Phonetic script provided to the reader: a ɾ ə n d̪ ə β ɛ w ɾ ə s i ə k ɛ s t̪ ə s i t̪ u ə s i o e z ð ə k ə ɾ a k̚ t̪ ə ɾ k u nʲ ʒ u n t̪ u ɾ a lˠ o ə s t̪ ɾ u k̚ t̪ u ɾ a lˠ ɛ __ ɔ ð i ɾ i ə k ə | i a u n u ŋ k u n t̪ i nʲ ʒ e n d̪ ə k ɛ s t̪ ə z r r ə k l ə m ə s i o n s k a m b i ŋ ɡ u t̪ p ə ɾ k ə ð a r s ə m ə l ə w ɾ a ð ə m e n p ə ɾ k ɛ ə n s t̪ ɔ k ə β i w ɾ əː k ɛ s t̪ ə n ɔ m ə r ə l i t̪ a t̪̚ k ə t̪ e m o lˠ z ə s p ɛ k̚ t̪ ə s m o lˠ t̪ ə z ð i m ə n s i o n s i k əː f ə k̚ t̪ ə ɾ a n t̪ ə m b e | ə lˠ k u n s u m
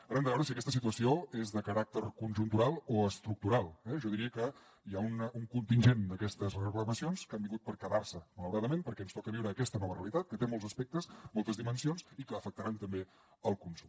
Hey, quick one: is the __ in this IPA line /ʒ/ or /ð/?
ʒ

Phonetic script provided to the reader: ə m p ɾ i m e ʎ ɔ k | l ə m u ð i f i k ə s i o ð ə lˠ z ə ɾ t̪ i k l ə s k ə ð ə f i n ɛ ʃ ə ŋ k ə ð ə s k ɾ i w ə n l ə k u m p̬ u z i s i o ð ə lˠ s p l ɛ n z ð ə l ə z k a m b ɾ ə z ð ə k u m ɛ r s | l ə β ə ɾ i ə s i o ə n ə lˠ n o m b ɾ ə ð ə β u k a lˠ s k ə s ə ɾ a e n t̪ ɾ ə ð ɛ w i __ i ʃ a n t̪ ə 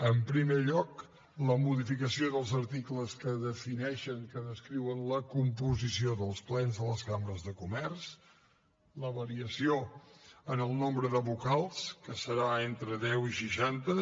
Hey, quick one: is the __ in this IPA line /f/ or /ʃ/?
ʃ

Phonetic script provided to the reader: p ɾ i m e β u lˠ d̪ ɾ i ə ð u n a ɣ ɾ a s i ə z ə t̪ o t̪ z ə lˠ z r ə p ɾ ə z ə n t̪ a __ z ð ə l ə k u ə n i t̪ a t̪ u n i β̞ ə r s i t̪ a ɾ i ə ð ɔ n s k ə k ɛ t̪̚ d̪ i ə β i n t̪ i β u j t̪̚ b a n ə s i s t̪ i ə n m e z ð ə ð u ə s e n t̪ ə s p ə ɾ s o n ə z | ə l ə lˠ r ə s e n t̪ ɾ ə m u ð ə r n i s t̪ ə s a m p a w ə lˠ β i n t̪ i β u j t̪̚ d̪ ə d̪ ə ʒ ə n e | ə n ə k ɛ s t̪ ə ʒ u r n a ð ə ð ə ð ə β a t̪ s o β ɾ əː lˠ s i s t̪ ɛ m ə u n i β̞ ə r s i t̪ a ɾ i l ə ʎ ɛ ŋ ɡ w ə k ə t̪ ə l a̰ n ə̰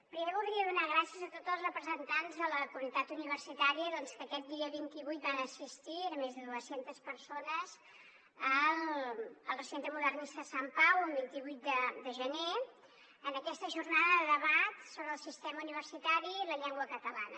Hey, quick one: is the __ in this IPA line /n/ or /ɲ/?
n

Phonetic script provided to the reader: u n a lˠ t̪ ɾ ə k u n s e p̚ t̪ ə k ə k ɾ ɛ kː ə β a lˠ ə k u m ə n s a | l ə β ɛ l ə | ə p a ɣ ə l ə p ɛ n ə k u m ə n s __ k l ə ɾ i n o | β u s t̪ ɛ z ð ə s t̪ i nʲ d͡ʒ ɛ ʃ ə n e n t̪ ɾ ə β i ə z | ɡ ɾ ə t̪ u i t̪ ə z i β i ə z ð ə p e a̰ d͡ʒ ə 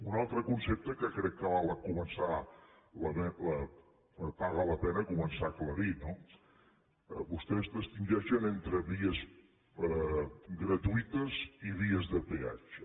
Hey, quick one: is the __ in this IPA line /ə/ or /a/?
a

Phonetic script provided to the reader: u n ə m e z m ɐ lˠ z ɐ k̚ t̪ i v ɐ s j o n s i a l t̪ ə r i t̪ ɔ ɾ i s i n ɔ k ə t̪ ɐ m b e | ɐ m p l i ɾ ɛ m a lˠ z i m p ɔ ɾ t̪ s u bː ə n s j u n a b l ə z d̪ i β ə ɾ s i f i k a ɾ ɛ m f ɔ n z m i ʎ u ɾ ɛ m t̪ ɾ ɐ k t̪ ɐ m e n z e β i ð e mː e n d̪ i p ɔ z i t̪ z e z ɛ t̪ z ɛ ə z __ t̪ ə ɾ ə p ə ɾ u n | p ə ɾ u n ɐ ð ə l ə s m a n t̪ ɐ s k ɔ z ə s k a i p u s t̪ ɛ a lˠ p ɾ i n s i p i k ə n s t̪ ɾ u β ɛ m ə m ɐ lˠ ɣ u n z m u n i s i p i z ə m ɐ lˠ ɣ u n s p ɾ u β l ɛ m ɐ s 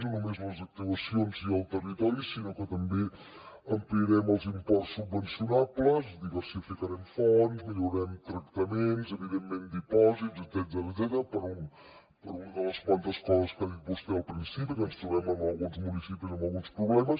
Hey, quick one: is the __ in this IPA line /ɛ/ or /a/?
ɛ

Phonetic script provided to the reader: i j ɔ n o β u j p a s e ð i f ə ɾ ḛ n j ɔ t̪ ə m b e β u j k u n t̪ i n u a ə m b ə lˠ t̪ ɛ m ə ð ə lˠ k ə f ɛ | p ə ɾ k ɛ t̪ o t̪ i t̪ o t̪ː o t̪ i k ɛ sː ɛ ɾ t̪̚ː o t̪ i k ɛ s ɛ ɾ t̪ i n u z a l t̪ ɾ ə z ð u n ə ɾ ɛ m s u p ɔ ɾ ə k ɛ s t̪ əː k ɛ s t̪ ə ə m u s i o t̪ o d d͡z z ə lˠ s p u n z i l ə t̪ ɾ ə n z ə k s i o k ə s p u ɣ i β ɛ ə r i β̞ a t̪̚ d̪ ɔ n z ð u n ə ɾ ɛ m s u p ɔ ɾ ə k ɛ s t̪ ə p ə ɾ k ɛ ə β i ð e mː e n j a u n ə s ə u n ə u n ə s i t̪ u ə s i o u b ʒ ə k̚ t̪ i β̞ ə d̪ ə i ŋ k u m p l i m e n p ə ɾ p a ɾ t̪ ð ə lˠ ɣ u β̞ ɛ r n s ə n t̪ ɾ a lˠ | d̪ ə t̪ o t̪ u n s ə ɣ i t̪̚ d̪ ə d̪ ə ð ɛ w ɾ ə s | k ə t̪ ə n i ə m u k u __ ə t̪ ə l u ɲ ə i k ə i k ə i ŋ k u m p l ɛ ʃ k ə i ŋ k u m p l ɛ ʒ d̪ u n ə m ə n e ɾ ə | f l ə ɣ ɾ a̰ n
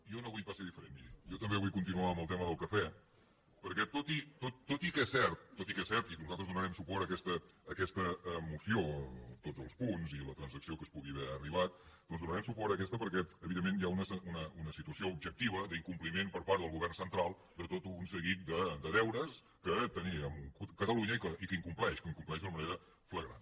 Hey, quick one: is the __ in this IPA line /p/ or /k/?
k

